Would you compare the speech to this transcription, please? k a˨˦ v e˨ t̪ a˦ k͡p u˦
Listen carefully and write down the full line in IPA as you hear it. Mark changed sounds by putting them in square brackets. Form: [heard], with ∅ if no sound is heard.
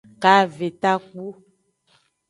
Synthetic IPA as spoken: k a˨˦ v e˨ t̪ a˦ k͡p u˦